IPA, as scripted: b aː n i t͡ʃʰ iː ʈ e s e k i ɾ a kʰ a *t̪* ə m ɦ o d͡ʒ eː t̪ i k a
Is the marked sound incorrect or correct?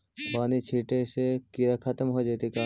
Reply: correct